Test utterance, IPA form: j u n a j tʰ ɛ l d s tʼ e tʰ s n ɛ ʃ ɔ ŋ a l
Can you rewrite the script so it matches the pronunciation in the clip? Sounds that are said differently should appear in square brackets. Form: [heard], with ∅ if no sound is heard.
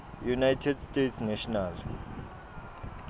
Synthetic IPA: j u n a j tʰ ɛ [∅] d s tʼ e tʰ s n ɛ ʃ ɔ [n] a l